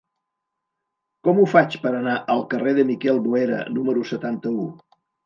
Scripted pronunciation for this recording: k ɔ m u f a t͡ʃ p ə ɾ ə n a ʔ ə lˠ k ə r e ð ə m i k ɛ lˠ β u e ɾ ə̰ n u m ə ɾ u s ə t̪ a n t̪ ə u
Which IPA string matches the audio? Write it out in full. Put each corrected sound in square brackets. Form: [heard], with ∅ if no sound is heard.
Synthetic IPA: k ɔ m u f a t͡ʃ p ə ɾ ə n a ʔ ə lˠ k ə r e ð ə m i k ɛ lˠ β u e ɾ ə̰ n u m ə ɾ u s ə t̪ a n t̪ ə u